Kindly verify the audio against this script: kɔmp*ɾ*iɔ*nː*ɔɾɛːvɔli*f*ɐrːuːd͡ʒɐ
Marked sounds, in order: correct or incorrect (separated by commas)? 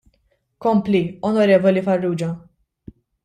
incorrect, incorrect, correct